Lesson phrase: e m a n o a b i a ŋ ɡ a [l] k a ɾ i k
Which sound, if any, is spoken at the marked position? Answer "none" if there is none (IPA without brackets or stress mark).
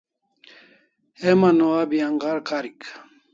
ɾ